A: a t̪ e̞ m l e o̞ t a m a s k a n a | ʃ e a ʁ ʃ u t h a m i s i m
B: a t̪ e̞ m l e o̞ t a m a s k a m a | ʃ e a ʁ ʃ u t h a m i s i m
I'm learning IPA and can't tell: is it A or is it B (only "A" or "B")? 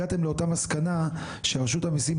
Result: A